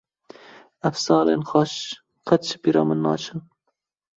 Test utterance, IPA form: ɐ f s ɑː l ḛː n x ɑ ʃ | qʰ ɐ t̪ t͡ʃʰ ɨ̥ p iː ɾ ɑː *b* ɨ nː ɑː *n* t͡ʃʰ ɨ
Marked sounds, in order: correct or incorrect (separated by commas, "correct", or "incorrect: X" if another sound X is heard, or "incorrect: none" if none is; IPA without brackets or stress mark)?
incorrect: m, incorrect: none